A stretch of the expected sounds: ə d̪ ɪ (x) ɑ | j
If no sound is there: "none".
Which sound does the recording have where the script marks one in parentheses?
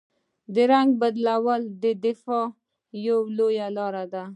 f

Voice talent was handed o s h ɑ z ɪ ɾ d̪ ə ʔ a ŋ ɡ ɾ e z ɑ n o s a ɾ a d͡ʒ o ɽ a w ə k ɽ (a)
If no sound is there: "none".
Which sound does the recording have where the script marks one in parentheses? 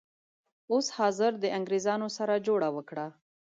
a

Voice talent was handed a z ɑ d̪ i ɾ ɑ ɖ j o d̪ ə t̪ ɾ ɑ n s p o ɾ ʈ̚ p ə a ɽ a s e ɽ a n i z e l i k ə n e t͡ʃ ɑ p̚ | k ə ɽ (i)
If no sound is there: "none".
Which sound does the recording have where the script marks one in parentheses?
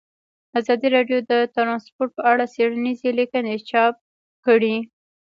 i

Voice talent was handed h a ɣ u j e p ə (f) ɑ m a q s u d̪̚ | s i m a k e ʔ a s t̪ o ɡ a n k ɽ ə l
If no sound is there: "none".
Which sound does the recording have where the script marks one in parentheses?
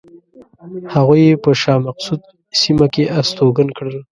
ʃ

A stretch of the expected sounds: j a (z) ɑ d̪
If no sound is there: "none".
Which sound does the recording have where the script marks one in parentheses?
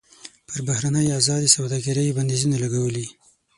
z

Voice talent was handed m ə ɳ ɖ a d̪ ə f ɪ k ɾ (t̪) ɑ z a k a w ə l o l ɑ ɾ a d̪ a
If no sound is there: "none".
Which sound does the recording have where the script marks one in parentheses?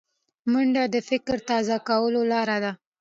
t̪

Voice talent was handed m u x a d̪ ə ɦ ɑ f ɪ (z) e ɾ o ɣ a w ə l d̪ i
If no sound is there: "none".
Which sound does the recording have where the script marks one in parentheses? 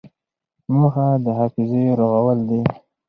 z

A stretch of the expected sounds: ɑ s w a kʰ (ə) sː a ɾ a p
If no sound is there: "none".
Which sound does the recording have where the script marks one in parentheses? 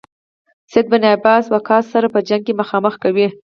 ɑ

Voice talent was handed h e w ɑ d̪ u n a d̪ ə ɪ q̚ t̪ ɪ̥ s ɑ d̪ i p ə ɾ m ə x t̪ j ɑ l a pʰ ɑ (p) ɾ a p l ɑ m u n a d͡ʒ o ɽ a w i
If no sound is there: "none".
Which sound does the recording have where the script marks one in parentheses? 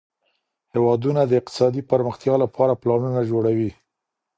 none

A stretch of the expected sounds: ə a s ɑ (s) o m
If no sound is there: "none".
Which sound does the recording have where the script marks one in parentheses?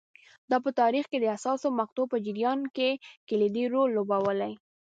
s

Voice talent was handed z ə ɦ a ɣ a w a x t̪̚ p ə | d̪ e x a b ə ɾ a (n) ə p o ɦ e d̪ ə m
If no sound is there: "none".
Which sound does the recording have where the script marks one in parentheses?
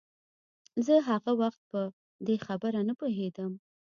n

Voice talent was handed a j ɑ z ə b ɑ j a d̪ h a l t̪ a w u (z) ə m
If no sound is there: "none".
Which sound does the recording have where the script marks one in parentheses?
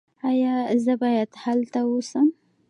s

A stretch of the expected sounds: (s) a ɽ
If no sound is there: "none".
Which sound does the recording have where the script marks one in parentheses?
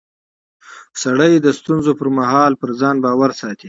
s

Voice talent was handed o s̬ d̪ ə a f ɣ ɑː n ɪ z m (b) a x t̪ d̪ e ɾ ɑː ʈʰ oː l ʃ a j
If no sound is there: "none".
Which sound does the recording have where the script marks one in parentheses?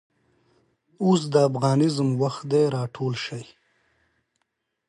w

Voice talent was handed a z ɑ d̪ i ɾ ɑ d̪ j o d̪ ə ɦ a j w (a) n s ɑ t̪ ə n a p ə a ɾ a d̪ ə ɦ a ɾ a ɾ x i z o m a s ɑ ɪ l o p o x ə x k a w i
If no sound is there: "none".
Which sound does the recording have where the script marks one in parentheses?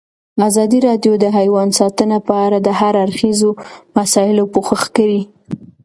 ɑ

